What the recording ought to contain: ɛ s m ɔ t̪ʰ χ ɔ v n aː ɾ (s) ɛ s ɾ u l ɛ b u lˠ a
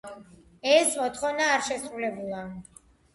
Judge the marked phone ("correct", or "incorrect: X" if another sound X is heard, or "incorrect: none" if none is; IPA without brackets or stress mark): incorrect: ʃ